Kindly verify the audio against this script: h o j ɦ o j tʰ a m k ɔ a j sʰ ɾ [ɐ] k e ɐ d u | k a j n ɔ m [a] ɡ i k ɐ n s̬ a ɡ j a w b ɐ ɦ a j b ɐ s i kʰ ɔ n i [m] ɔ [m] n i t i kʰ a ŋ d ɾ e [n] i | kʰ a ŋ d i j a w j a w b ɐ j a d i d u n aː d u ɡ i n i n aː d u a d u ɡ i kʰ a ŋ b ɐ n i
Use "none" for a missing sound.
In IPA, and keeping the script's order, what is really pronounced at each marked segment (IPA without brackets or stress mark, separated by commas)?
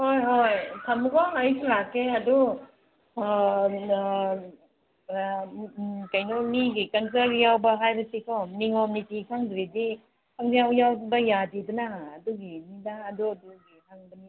a, i, ŋ, m, d